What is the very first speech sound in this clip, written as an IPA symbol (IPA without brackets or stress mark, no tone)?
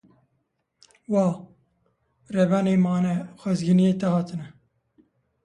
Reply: w